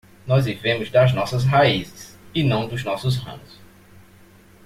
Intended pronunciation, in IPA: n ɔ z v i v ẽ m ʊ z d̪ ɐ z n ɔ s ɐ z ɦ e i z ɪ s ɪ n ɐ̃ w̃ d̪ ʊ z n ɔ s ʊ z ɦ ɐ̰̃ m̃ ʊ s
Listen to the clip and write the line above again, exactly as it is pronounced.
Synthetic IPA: n ɔ z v i v ẽ m ʊ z d̪ ɐ z n ɔ s ɐ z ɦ a i z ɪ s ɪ n ɐ̃ w̃ d̪ ʊ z n ɔ s ʊ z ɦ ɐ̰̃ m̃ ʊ s